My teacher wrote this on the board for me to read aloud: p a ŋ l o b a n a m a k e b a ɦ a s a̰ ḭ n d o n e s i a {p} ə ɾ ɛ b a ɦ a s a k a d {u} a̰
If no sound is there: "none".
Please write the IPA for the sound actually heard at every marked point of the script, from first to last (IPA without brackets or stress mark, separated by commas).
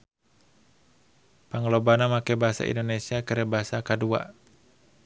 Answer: k, u